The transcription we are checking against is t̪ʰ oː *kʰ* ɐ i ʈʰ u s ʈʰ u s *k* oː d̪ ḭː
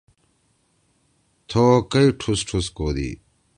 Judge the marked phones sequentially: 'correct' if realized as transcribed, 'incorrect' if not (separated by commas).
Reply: incorrect, correct